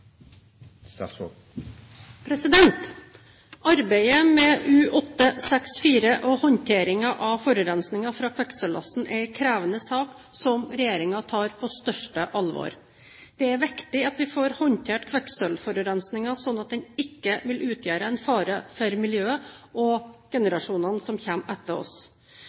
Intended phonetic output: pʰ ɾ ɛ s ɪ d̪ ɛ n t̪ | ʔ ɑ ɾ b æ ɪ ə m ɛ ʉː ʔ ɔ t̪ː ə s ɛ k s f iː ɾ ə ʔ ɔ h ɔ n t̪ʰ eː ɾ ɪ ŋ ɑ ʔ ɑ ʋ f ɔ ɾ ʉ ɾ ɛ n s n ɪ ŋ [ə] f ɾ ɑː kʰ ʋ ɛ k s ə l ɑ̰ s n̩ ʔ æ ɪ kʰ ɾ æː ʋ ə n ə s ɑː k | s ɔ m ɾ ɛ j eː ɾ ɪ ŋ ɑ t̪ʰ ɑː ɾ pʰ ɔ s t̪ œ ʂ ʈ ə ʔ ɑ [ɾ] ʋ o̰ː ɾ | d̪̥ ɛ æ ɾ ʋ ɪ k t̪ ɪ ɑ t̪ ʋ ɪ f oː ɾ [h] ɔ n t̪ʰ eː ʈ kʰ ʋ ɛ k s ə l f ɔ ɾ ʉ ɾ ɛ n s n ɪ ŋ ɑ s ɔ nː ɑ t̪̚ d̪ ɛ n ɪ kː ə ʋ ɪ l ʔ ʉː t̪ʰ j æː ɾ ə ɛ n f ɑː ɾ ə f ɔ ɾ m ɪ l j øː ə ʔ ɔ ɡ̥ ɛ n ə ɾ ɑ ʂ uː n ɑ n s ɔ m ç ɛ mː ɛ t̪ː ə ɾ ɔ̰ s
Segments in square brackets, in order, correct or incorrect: incorrect: ɑ, incorrect: l, correct

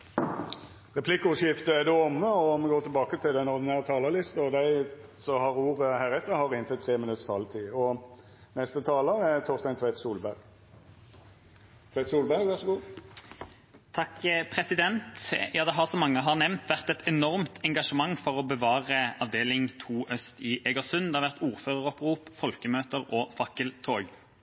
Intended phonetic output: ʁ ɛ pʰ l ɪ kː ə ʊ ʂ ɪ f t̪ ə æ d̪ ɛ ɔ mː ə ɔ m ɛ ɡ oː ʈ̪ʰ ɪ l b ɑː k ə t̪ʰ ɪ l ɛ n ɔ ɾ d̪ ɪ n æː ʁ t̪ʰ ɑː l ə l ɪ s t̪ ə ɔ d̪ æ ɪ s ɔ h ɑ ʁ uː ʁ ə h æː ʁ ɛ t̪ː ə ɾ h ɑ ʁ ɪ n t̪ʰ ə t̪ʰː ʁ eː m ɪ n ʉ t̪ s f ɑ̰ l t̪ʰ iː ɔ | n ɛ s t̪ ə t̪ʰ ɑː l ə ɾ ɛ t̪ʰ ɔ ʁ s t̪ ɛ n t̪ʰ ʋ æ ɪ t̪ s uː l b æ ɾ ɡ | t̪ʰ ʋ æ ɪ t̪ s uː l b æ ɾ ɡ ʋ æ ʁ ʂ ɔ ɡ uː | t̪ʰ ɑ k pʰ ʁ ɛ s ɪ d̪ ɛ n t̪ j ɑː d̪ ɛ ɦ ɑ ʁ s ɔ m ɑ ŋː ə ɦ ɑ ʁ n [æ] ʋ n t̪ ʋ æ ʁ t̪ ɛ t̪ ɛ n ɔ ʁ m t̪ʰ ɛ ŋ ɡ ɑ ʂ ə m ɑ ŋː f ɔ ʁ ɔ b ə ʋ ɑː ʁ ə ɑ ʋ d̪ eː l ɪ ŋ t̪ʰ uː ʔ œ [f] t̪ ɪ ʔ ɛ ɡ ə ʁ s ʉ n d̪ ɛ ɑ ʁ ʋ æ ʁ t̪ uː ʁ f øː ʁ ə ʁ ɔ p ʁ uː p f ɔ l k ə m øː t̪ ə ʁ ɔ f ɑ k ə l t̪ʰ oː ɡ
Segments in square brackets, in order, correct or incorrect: incorrect: ɛ, incorrect: s

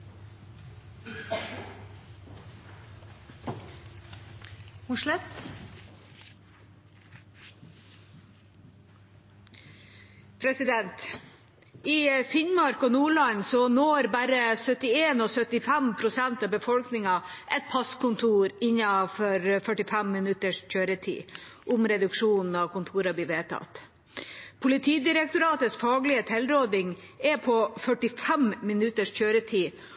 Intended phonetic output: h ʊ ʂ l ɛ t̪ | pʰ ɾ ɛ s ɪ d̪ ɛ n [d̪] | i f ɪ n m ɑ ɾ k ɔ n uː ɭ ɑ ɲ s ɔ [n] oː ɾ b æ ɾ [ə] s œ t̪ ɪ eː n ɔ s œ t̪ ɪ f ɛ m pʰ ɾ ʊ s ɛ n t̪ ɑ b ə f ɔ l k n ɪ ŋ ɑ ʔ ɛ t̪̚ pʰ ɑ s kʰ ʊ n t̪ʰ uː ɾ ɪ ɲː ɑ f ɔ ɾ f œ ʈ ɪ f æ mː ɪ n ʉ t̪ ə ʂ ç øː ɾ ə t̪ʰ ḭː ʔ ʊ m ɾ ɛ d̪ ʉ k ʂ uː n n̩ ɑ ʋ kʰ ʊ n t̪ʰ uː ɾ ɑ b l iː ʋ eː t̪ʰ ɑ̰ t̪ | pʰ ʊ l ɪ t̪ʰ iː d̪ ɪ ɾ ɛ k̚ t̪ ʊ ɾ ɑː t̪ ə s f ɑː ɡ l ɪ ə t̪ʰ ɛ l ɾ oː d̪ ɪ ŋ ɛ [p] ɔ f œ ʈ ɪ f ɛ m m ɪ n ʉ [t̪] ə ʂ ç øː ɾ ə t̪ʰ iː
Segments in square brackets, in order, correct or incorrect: incorrect: t̪, correct, correct, incorrect: pʰ, correct

